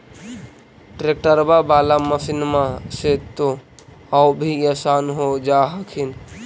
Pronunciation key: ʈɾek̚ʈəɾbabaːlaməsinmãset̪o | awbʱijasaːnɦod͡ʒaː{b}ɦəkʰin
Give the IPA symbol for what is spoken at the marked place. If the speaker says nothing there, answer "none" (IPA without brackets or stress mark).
none